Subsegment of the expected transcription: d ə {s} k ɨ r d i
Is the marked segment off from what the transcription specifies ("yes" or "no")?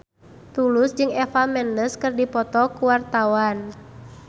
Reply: no